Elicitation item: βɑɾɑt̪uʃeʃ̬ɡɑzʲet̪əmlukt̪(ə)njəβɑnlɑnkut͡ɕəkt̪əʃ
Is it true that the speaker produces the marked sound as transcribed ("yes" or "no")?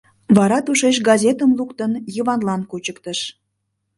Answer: yes